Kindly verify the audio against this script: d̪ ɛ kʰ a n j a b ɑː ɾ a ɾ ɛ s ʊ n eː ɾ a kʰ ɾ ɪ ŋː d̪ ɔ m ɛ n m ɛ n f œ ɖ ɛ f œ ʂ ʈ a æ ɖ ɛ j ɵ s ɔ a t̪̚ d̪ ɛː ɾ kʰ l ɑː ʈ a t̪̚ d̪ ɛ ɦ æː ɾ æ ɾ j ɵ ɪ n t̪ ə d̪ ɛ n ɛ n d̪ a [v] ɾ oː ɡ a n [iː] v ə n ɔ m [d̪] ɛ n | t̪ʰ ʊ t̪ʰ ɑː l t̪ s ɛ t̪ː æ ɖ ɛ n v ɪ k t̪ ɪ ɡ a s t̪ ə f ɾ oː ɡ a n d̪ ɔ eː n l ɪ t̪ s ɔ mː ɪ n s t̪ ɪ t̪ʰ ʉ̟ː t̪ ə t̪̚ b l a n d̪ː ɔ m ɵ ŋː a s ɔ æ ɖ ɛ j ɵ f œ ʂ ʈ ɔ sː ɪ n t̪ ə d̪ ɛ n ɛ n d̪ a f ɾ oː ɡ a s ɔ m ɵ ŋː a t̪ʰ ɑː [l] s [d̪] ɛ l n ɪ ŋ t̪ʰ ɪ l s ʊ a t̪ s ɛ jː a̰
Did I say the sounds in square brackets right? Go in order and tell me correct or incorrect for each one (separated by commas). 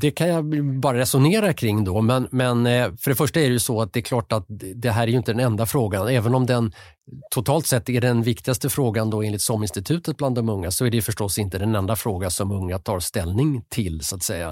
incorrect, incorrect, correct, incorrect, incorrect